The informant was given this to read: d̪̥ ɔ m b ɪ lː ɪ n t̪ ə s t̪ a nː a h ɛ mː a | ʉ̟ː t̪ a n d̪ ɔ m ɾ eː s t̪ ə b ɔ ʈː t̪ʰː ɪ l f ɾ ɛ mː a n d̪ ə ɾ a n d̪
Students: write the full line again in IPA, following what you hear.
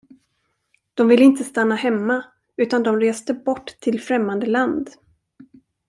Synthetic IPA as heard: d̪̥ ɔ m v ɪ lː ɪ n t̪ ə s t̪ a nː a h ɛ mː a | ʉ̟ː t̪ a n d̪ ɔ m ɾ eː s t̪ ə b ɔ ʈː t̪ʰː ɪ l f ɾ ɛ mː a n d̪ ə l a n d̪